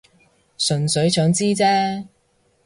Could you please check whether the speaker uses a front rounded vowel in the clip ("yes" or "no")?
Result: yes